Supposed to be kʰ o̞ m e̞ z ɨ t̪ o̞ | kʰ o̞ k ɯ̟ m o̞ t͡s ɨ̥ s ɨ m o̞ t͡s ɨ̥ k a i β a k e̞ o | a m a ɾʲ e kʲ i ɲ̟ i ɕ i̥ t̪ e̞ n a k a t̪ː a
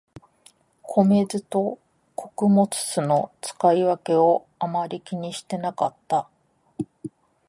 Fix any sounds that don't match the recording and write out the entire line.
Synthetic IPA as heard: kʰ o̞ m e̞ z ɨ t̪ o̞ | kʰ o̞ k ɯ̟ m o̞ t͡s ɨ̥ s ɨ n o̞ t͡s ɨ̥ k a i β a k e̞ o | a m a ɾʲ i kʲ i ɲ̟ i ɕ i̥ t̪ e̞ n a k a t̪ː a